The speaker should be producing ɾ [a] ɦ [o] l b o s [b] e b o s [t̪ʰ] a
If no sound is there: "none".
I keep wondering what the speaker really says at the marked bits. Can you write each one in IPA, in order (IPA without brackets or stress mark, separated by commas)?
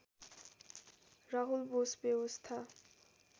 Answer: a, u, b, t̪ʰ